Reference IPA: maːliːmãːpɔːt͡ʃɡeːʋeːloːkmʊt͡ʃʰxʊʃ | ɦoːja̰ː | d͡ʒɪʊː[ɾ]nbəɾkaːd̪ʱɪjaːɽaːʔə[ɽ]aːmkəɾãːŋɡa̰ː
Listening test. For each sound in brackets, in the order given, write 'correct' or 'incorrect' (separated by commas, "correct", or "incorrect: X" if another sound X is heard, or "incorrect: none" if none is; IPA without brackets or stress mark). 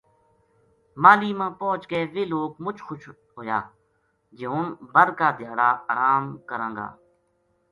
incorrect: none, incorrect: ɾ